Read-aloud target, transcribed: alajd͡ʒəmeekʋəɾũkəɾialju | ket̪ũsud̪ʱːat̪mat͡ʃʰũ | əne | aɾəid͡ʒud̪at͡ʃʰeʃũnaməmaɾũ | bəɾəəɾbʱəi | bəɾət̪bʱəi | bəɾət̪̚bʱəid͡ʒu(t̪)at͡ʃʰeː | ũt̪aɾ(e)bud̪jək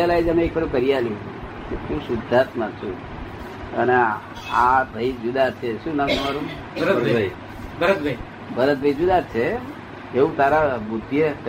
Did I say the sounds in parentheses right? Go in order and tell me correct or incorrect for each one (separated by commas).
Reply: incorrect, incorrect